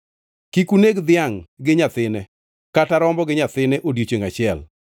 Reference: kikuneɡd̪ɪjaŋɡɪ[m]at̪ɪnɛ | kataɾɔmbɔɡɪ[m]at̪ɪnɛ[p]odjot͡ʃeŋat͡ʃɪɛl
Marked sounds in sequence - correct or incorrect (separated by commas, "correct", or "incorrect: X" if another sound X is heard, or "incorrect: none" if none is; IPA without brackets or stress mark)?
incorrect: ɲ, incorrect: ɲ, incorrect: ʔ